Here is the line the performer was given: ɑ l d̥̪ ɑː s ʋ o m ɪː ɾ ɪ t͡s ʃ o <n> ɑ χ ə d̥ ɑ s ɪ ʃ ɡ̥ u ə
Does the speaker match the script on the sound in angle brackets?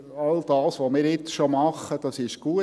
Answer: no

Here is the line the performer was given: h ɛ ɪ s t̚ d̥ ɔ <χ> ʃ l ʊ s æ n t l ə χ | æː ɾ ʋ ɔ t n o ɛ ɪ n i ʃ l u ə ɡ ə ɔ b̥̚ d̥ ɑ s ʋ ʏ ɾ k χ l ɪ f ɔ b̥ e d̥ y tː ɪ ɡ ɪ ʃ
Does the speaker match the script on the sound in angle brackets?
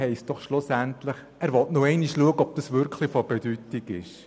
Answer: yes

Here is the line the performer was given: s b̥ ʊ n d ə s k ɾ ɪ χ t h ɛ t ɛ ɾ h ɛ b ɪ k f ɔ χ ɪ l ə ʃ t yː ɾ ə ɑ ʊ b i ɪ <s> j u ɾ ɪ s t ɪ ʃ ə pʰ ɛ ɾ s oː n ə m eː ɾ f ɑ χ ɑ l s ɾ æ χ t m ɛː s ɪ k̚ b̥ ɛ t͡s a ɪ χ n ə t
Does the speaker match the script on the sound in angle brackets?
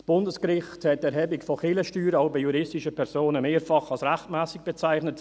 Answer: no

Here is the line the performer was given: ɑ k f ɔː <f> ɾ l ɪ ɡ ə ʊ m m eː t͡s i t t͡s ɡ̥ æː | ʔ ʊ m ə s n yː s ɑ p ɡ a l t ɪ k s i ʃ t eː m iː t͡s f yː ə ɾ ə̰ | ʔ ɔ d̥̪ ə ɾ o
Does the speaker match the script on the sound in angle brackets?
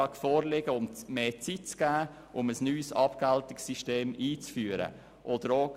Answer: no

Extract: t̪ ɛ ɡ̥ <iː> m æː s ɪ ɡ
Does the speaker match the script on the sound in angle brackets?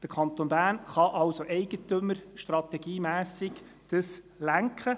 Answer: yes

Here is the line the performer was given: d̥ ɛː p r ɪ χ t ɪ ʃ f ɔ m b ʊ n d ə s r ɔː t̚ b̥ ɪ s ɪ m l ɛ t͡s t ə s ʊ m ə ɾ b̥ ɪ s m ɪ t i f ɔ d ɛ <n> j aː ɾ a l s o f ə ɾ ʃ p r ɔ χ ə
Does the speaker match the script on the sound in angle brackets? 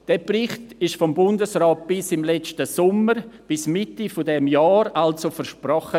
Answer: no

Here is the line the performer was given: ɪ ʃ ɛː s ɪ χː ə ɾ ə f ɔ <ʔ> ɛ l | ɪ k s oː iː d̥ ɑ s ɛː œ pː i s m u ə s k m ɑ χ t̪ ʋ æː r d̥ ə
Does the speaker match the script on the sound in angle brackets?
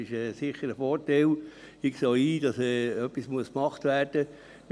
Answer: no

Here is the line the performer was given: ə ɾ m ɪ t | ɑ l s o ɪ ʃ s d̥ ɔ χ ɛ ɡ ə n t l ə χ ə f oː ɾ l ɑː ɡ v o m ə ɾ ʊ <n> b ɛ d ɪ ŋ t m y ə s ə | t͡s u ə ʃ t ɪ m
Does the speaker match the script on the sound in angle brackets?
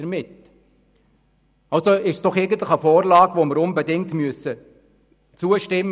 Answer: yes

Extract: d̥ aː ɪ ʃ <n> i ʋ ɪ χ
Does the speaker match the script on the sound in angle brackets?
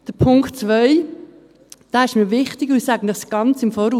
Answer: no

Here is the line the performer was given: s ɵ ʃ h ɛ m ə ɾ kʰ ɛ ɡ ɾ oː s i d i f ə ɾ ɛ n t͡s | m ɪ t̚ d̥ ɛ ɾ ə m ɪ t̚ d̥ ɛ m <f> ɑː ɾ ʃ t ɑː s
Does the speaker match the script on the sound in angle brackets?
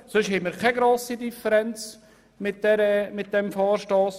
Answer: yes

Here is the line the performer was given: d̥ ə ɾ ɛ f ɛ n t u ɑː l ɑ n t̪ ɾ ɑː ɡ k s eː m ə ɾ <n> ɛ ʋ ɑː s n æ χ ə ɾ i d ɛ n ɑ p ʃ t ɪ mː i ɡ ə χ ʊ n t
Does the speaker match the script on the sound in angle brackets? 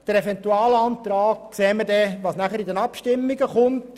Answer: no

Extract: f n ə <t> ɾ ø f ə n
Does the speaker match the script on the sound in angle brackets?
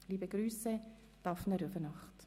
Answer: no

